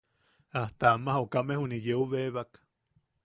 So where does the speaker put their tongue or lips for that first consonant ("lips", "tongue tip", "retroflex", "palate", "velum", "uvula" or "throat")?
throat